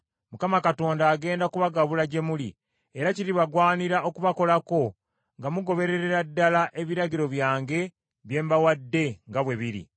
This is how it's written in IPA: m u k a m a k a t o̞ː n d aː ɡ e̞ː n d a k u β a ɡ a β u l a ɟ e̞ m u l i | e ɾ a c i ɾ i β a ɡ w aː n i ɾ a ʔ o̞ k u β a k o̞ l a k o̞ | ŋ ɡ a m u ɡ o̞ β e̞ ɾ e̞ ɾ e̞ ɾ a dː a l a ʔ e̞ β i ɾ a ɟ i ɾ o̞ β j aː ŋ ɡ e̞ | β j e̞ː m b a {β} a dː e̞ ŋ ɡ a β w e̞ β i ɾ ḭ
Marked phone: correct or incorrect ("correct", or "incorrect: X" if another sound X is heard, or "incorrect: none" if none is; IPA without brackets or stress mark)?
incorrect: w